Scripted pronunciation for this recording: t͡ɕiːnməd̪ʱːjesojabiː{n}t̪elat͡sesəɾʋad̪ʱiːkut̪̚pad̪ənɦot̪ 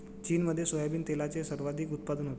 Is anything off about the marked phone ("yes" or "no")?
no